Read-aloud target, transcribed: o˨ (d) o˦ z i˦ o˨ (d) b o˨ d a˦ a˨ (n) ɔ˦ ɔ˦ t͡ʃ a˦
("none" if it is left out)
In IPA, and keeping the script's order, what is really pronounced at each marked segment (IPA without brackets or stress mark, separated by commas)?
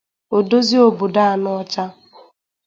d, none, n